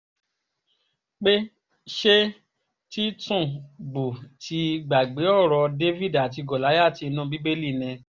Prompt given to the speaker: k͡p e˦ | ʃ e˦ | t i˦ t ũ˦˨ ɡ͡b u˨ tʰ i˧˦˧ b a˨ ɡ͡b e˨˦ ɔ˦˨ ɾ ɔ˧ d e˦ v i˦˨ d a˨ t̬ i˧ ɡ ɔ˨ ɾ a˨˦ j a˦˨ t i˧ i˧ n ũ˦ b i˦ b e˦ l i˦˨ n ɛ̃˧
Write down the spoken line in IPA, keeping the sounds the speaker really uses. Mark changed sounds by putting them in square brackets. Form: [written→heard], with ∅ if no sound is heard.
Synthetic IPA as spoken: k͡p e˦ | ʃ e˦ | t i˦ t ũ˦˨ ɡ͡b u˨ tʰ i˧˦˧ [b→ɡ͡b] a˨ ɡ͡b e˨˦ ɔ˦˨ ɾ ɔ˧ d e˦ v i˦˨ d a˨ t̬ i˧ ɡ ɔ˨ [ɾ→l] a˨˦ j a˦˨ t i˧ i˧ n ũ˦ b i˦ b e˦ l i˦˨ n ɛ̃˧

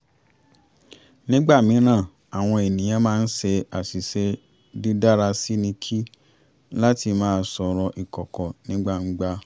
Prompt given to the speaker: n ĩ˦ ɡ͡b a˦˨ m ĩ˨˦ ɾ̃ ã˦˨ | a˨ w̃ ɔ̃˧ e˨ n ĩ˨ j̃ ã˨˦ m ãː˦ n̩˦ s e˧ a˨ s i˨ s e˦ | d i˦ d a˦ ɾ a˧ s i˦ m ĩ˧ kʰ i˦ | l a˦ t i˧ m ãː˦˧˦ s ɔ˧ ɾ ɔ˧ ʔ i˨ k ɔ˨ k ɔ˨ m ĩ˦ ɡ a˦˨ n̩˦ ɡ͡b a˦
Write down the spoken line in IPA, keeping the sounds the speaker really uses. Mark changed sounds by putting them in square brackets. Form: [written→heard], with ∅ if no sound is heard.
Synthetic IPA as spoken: n ĩ˦ ɡ͡b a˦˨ m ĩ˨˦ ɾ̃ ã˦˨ | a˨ w̃ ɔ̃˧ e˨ n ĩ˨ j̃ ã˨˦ m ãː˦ n̩˦ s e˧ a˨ s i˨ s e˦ | d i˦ d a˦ ɾ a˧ s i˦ [m→n] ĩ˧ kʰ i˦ | l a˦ t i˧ m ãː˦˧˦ s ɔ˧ ɾ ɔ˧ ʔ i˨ k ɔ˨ k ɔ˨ [m→n] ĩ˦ [ɡ→ɡ͡b] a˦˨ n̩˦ ɡ͡b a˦

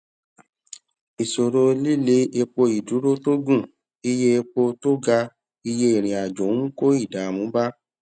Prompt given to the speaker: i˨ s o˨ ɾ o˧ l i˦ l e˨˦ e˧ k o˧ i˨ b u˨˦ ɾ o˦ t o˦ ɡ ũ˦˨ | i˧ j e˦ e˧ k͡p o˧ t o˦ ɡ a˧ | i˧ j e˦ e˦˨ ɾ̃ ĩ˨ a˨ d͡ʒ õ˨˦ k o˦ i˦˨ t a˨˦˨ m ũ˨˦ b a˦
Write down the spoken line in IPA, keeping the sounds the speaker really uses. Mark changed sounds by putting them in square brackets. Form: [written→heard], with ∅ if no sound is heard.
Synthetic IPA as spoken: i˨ s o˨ ɾ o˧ l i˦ l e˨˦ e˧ [k→k͡p] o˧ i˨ [b→d] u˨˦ ɾ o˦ t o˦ ɡ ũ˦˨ | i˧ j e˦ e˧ k͡p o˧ t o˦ ɡ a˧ | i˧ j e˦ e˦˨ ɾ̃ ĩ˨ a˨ d͡ʒ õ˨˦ k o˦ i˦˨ [t→d] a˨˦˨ m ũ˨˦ b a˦

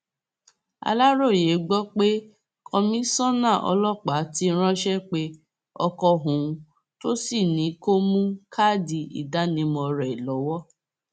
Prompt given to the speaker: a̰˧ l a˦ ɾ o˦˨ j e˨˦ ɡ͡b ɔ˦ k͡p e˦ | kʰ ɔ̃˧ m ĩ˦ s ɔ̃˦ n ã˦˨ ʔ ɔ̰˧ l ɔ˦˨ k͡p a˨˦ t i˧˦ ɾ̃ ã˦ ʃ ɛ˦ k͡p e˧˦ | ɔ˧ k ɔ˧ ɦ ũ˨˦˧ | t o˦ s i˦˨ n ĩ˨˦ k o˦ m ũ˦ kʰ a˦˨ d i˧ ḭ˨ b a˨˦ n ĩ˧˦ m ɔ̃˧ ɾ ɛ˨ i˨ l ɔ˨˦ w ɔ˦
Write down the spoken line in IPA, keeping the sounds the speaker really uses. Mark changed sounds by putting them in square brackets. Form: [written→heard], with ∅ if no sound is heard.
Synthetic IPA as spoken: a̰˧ l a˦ ɾ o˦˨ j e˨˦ ɡ͡b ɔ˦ k͡p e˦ | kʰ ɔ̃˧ m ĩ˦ s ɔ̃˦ n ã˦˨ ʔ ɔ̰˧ l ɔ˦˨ k͡p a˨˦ t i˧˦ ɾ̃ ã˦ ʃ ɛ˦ k͡p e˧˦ | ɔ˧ k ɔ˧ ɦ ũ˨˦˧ | t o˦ s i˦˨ n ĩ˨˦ k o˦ m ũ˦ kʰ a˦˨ d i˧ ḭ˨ [b→d] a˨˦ n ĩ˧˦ m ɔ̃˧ ɾ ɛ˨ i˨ l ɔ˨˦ w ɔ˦

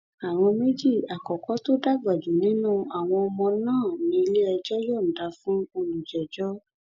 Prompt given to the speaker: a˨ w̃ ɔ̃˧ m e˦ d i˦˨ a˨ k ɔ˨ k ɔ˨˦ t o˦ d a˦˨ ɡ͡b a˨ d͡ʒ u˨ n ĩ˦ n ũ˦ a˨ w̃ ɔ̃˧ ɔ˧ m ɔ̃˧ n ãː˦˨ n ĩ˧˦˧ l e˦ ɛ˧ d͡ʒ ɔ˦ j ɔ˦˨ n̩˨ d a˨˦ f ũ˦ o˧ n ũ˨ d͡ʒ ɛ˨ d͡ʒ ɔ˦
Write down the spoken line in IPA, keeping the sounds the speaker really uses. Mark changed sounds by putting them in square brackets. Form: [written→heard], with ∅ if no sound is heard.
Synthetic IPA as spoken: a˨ w̃ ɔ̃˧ m e˦ [d→d͡ʒ] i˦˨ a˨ k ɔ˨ k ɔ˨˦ t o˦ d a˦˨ ɡ͡b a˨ d͡ʒ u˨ n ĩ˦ n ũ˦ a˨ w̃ ɔ̃˧ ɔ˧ m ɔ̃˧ n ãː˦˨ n ĩ˧˦˧ l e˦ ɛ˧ d͡ʒ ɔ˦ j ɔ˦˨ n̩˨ d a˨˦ f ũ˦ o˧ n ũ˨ d͡ʒ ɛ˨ d͡ʒ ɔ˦

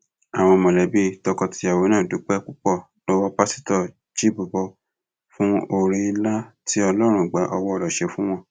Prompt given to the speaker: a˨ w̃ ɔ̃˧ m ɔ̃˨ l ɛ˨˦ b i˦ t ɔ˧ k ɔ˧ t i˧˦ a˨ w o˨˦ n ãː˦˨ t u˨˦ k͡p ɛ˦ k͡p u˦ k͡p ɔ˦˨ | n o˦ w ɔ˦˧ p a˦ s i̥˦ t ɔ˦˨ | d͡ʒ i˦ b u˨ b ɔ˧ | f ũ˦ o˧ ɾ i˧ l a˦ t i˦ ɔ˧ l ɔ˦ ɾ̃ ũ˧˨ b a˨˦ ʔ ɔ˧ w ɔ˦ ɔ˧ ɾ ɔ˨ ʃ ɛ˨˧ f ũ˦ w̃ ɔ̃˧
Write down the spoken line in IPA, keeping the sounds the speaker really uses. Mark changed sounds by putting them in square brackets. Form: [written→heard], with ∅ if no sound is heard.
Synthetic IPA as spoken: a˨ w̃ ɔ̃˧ m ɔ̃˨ l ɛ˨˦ b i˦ t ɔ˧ k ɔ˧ t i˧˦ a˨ w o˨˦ n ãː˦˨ [t→d] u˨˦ k͡p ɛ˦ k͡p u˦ k͡p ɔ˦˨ | n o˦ w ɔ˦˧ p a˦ s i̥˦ t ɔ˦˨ | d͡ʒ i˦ b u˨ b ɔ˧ | f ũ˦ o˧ ɾ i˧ l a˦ t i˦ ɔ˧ l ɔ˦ ɾ̃ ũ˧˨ [b→ɡ͡b] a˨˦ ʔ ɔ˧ w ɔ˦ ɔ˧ ɾ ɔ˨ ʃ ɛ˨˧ f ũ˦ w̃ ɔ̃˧

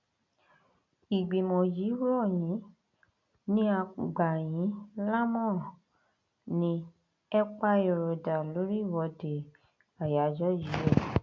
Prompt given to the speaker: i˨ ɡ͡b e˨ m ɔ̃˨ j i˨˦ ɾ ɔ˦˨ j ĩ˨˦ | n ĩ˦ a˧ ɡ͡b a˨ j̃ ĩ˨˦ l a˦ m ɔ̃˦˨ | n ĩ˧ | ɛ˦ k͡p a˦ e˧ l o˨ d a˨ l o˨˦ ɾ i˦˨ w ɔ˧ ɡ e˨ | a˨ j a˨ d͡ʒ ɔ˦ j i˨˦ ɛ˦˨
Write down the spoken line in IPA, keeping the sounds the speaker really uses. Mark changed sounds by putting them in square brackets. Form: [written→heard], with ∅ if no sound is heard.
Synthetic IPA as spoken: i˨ ɡ͡b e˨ m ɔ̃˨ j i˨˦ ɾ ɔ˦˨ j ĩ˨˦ | n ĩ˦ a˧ ɡ͡b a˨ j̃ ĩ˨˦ l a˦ m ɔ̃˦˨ | n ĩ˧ | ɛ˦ k͡p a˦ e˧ [l→ɾ] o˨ d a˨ l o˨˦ ɾ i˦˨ w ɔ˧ [ɡ→d] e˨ | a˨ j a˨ d͡ʒ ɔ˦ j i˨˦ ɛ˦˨

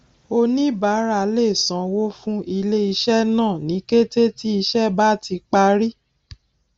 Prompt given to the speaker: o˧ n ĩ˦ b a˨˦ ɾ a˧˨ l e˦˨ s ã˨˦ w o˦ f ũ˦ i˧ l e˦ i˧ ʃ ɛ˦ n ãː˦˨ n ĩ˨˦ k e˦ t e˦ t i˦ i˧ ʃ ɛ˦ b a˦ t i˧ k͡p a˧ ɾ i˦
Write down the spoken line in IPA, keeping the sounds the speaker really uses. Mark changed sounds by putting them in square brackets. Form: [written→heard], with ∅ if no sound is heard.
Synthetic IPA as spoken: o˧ n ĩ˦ b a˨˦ ɾ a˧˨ l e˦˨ s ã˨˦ w o˦ f ũ˦ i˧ l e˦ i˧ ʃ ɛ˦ n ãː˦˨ n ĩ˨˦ k e˦ t e˦ t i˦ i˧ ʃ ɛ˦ b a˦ t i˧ k͡p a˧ ɾ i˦

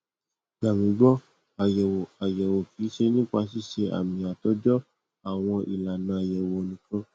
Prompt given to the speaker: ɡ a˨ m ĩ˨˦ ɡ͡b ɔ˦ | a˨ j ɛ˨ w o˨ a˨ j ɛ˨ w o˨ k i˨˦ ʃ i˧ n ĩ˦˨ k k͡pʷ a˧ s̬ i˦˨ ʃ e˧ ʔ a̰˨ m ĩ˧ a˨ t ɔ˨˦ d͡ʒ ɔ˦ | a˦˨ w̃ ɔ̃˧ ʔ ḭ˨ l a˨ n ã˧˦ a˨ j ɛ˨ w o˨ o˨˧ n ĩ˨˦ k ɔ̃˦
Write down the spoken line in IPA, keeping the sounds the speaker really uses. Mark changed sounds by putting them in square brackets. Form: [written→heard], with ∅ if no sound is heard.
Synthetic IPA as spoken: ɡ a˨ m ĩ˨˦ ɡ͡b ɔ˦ | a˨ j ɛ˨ w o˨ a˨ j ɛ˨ w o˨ k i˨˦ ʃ [i˧→e˧] n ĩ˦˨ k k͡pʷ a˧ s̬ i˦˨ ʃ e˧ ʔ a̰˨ m ĩ˧ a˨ t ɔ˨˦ d͡ʒ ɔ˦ | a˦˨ w̃ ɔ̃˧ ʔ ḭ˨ l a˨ n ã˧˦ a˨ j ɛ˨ w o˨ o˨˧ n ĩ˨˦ k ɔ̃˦

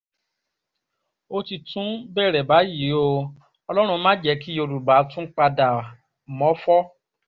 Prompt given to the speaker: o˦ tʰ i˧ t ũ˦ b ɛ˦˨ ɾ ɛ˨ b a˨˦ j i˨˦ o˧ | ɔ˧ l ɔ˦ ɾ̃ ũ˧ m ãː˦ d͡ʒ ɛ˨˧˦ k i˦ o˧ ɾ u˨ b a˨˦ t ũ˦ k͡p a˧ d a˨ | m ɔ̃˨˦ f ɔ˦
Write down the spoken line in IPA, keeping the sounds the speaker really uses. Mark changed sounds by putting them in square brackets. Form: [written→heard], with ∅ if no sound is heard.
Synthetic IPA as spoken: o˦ [tʰ→t] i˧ t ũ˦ b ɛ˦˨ ɾ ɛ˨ b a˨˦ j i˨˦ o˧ | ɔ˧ l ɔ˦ ɾ̃ ũ˧ m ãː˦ d͡ʒ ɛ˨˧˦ k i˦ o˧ ɾ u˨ b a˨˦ t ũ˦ k͡p a˧ d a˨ | m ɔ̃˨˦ f ɔ˦

